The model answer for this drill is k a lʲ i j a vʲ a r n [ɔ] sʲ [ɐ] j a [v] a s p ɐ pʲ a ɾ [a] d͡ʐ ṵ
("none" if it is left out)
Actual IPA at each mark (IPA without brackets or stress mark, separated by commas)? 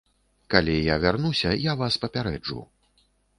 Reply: u, ɐ, v, ɛ